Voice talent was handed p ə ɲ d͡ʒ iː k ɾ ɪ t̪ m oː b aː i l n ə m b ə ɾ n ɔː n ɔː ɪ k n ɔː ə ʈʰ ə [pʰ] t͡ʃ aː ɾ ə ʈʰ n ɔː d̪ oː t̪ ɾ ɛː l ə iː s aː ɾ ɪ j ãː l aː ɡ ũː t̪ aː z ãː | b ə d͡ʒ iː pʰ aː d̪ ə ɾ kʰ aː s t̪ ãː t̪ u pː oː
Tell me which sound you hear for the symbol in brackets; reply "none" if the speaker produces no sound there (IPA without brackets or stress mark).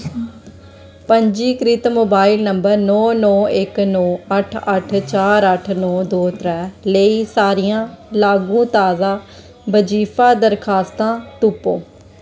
ʈʰ